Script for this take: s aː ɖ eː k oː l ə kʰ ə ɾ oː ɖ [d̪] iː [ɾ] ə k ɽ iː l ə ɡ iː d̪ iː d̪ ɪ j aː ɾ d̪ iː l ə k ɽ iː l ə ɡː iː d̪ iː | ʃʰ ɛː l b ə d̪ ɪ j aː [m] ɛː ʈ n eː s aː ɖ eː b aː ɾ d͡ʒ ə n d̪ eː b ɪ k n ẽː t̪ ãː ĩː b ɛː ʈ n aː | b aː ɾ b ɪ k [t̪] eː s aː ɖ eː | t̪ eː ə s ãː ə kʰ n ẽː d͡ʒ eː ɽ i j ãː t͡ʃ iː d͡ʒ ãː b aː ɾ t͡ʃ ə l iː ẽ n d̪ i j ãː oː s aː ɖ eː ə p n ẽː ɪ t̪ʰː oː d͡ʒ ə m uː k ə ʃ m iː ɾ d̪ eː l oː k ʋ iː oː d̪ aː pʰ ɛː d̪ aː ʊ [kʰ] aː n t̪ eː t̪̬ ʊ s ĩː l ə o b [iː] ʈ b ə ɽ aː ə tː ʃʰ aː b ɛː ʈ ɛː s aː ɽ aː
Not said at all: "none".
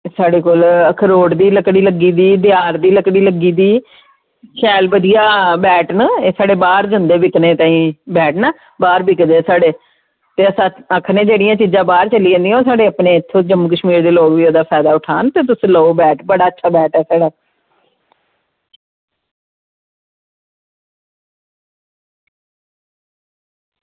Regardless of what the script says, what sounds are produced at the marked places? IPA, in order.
d̪, l, b, d̪, ʈʰ, ɛː

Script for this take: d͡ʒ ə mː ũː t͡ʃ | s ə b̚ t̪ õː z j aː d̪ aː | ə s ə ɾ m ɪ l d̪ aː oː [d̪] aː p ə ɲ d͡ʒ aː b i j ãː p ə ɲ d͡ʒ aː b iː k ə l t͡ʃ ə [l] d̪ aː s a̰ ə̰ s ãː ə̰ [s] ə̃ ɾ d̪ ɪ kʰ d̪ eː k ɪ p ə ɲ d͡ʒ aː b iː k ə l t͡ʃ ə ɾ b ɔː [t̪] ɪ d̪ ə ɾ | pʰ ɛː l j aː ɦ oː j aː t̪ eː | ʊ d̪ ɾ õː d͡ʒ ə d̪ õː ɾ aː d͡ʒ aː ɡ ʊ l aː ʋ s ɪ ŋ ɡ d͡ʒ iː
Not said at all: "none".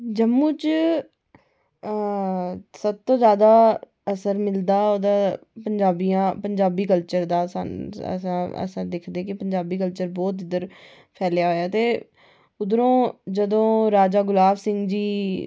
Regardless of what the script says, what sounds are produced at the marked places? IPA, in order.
d̪, ɾ, s, t̪

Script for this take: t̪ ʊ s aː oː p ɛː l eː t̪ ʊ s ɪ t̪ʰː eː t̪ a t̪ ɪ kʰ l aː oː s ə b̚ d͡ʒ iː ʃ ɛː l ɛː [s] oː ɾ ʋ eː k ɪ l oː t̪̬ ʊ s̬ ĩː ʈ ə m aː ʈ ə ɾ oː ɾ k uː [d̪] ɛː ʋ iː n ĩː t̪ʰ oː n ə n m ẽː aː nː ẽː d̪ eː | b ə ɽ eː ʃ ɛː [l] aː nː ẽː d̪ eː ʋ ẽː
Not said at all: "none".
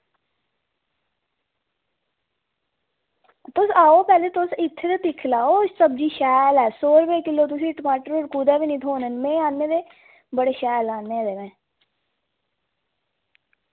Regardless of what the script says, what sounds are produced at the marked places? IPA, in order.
s, d̪, l

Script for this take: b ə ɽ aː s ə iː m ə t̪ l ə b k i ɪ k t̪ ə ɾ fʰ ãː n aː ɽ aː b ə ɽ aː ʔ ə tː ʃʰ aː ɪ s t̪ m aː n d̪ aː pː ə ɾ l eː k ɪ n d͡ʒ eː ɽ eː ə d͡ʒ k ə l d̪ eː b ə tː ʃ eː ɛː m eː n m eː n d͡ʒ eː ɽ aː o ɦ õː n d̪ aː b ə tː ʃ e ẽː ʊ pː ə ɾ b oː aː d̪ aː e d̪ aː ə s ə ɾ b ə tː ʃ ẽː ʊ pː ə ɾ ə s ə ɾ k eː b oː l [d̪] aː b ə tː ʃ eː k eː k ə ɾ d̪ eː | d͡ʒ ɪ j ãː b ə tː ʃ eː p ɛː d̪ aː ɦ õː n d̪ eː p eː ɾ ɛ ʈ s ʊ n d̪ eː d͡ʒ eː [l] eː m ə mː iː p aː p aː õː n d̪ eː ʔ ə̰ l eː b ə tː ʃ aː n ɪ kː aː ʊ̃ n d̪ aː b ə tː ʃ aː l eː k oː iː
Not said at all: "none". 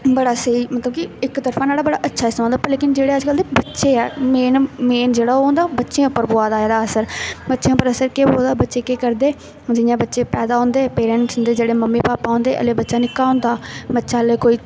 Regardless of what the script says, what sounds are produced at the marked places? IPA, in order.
d̪, ɽ

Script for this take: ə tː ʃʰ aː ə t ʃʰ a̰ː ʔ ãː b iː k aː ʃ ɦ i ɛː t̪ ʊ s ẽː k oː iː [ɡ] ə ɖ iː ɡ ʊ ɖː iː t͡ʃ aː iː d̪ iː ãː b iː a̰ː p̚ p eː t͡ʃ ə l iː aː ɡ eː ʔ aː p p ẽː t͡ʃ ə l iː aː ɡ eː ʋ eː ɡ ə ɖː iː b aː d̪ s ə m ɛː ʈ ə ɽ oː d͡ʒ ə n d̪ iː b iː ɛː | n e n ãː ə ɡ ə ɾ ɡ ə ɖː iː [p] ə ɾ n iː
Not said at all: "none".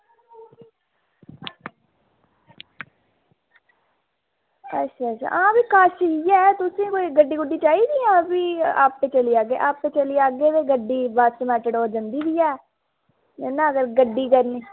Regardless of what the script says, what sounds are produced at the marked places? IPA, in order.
ɡ, k

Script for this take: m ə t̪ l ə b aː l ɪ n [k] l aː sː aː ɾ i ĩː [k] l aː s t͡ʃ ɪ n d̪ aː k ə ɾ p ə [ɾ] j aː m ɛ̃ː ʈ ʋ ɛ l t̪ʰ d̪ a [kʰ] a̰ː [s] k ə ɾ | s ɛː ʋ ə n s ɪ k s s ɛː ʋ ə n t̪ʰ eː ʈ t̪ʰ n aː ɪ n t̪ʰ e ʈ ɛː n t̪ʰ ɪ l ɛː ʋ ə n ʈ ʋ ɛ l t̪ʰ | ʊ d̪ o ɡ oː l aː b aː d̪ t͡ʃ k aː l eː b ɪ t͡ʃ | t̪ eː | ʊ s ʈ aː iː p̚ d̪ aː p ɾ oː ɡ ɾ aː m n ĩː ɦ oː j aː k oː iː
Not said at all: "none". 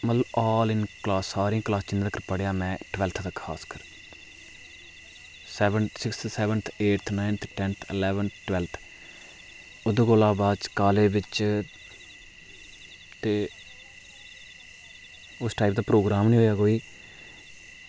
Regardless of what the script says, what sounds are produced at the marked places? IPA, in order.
k, k, ɽ, kʰ, s

